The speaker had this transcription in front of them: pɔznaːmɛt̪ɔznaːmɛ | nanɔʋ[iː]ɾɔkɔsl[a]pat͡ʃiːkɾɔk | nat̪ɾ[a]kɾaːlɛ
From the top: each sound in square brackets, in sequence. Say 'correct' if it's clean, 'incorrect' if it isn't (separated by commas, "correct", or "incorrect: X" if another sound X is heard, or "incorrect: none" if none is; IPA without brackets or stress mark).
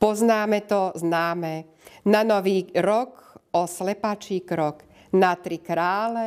correct, incorrect: ɛ, incorrect: i